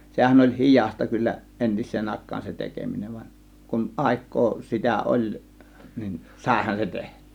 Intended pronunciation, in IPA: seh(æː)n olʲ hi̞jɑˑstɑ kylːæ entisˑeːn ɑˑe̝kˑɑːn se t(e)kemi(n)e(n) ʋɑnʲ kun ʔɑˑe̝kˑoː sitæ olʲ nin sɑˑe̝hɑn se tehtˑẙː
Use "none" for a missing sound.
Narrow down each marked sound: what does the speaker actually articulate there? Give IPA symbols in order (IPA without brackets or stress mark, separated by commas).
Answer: æ, e, n, n